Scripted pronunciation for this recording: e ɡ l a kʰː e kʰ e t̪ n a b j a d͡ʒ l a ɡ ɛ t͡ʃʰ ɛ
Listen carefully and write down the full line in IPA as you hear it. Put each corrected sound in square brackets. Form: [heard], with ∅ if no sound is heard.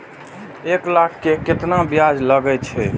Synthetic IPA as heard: e [k] l a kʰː e [k] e t̪ n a b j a d͡ʒ l [ə] ɡ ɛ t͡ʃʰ ɛ

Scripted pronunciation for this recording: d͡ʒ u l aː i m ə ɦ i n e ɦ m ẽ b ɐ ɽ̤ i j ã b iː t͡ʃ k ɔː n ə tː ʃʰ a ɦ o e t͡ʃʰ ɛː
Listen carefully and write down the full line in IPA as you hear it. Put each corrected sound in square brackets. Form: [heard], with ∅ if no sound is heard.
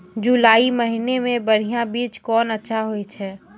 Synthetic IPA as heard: d͡ʒ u l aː i m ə ɦ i n e [∅] m ẽ b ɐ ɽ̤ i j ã b iː t͡ʃ k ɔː n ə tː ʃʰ a ɦ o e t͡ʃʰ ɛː

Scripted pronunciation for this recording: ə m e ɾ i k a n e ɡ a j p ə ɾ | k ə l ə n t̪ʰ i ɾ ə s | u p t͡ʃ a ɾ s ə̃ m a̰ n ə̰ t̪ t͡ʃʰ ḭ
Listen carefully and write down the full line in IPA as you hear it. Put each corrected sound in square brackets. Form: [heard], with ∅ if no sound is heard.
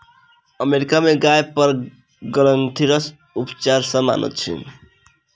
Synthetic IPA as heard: ə m e ɾ i k a [m] e ɡ a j p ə ɾ | [ɡ] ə l ə n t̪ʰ i ɾ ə s | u p t͡ʃ a ɾ s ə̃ m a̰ n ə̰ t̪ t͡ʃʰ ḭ

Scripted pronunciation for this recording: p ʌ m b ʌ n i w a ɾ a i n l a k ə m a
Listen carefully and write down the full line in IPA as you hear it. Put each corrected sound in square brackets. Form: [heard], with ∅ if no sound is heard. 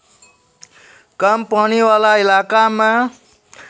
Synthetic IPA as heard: [k] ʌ m [p] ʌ n i w a [l] a i [∅] l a k [a] m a

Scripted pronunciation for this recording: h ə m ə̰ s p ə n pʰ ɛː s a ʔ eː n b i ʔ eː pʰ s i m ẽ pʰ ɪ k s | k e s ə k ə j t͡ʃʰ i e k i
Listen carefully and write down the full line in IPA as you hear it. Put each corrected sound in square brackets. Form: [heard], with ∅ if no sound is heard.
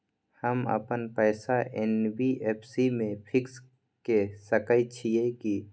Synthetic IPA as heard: h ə m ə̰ [∅] p ə n [p] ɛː s a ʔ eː n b i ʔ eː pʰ s i m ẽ pʰ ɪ k s | k e s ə k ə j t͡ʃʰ i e k i

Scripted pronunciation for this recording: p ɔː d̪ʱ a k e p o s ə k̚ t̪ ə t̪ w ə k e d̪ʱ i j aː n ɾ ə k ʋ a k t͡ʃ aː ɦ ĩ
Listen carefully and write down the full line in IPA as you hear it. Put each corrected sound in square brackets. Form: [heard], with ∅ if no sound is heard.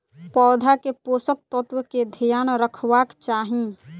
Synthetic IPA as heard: p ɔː d̪ʱ a k e p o s ə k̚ t̪ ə t̪ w ə k e d̪ʱ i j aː n ɾ ə [kʰ] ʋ a k t͡ʃ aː ɦ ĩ

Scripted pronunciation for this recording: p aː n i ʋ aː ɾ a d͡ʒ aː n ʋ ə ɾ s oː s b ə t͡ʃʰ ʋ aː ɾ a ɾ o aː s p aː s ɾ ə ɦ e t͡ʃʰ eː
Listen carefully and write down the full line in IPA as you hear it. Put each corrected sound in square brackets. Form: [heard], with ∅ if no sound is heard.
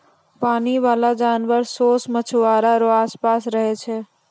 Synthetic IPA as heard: p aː n i ʋ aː [l] a d͡ʒ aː n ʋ ə ɾ s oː s [m] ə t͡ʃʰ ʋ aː ɾ a ɾ o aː s p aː s ɾ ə ɦ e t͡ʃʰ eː

